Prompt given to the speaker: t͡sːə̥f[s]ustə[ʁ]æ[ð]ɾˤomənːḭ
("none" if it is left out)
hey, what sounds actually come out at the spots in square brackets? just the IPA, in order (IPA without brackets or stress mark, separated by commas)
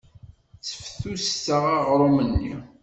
θ, ʁ, ʁ